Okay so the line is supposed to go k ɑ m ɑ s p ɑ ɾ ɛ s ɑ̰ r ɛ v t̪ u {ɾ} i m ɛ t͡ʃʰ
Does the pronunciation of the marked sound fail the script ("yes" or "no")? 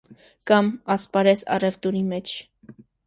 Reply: no